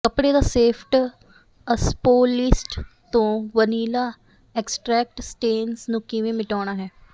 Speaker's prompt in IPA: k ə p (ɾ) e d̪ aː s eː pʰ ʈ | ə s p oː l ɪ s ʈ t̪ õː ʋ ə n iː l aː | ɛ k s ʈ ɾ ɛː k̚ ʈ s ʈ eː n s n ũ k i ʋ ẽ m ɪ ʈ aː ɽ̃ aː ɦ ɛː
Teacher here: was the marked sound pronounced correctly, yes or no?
no